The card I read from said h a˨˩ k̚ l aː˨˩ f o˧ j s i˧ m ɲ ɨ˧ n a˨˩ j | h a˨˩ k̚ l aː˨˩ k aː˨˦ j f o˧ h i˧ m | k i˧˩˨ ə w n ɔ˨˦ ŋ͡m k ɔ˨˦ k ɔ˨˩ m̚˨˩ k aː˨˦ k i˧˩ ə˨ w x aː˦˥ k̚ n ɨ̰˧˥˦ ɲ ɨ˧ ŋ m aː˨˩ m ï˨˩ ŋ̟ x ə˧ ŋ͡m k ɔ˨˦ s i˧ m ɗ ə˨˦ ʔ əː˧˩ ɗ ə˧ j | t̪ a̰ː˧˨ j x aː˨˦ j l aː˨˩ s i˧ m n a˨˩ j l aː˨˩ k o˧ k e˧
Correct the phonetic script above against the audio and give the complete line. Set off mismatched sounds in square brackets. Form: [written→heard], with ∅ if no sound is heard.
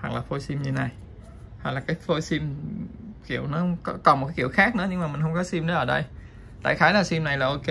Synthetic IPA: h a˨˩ k̚ l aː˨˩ f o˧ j s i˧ m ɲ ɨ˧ n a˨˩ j | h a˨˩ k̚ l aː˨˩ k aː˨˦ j f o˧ [h→s] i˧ m | k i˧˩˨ ə w n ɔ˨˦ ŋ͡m k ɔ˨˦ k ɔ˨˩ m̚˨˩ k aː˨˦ k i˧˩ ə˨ w x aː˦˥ k̚ n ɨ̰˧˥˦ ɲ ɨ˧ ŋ m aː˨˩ m ï˨˩ ŋ̟ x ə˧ ŋ͡m k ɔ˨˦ s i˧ m ɗ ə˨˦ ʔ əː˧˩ ɗ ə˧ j | t̪ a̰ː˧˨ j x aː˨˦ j l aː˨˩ s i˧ m n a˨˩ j l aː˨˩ [k→ʔ] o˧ k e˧